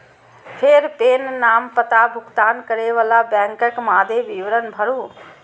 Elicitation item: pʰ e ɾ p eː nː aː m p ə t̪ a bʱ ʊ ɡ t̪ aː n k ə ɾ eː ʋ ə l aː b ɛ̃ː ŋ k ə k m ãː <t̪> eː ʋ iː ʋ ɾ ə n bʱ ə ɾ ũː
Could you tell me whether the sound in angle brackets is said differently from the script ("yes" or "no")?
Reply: yes